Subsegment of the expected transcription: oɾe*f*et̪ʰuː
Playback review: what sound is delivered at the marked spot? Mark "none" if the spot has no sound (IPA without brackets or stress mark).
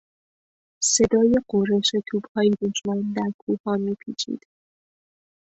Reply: ʃ